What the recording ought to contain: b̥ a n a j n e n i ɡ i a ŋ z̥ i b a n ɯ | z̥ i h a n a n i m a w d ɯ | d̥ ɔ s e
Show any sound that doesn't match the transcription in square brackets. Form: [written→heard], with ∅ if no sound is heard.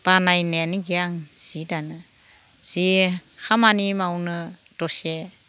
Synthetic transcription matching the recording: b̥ a n a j n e n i ɡ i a ŋ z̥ i [b→d] a n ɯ | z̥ i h a [n→m] a n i m a w [d→n] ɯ | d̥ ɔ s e